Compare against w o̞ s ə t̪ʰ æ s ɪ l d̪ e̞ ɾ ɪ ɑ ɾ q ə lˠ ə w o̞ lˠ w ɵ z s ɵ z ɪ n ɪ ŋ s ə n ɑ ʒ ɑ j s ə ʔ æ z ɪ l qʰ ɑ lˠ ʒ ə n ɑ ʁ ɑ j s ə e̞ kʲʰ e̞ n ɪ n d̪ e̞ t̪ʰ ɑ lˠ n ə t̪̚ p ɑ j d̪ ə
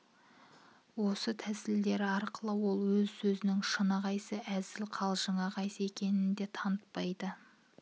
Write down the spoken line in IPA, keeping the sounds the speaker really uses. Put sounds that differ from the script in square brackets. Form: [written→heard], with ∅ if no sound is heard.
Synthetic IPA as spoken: w o̞ s ə t̪ʰ æ s ɪ l d̪ e̞ ɾ ɪ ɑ ɾ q ə lˠ ə w o̞ lˠ w ɵ z s ɵ z ɪ n ɪ ŋ [s→ʃ] ə n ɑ [ʒ→ʁ] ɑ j s ə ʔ æ z ɪ l qʰ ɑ lˠ ʒ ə [n→ɴ] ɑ ʁ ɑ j s ə e̞ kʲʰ e̞ n ɪ n d̪ e̞ t̪ʰ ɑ [lˠ→∅] n ə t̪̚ p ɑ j d̪ ə

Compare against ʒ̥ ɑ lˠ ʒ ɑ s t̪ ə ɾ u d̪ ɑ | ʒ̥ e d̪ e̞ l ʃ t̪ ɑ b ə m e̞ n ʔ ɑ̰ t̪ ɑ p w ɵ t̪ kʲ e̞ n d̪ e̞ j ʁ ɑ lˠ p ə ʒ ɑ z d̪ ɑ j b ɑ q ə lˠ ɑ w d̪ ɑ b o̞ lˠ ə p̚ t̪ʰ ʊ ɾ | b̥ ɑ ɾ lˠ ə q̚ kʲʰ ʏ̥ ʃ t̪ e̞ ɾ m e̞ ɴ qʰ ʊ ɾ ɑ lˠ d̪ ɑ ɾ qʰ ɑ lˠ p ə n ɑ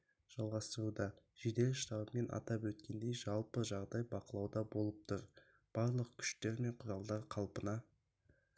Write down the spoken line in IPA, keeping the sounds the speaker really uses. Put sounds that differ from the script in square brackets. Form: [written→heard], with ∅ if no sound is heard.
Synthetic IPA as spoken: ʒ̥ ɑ lˠ [ʒ→ʁ] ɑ s t̪ ə ɾ u d̪ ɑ | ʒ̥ e d̪ e̞ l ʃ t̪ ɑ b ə m e̞ n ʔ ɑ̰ t̪ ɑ p w ɵ t̪ kʲ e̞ n d̪ e̞ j [ʁ→ʒ] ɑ lˠ p ə ʒ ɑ [z→ʁ] d̪ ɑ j b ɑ q ə lˠ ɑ w d̪ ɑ b o̞ lˠ ə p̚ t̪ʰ ʊ ɾ | b̥ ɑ ɾ lˠ ə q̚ kʲʰ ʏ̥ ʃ t̪ e̞ ɾ m e̞ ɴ qʰ ʊ ɾ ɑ lˠ d̪ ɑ ɾ qʰ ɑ lˠ p ə n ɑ

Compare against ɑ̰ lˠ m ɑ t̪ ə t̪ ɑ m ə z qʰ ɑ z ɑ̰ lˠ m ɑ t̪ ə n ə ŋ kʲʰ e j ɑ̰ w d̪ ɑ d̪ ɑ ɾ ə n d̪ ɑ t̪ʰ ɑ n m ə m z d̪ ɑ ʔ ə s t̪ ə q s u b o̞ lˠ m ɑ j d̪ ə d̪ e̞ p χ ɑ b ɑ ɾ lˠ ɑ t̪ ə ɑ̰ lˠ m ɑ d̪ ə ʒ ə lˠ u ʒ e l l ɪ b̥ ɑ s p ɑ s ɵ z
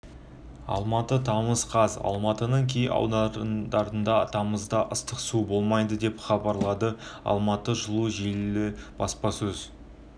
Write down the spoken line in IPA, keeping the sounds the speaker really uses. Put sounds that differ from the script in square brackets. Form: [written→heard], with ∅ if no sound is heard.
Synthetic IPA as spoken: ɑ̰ lˠ m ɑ t̪ ə [t̪→t̪ʰ] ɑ m ə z qʰ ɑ z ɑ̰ lˠ m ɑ t̪ ə n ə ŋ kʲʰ e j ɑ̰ w d̪ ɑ d̪ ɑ ɾ ə n d̪ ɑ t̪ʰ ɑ [n→∅] m ə [m→∅] z d̪ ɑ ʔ ə s t̪ ə q s u b o̞ lˠ m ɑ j d̪ ə d̪ e̞ p χ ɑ b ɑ ɾ lˠ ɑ [t̪→d̪] ə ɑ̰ lˠ m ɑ [d̪→t̪] ə ʒ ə lˠ u ʒ e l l ɪ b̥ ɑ s p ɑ s ɵ z

